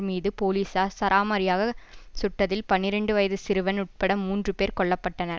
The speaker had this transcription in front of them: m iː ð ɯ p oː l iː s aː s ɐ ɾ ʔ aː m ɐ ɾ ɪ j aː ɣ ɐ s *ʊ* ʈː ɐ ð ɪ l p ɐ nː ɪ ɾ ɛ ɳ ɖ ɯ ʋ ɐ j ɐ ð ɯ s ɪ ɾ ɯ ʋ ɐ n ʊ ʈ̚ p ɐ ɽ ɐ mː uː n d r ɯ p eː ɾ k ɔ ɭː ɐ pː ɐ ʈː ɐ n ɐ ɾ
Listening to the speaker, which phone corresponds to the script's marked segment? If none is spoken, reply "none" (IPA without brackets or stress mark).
ʊ